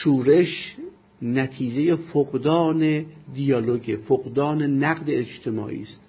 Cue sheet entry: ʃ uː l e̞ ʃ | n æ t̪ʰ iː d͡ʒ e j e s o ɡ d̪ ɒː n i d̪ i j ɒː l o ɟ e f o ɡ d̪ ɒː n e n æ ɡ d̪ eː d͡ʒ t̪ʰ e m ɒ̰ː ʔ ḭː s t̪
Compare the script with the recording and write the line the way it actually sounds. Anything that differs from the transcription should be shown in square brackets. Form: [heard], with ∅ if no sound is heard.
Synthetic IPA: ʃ uː [ɾ] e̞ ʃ | n æ t̪ʰ iː d͡ʒ e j e [f] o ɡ d̪ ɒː n [e] d̪ i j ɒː l o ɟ e f o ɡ d̪ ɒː n e n æ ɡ d̪ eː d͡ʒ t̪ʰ e m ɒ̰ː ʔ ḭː s t̪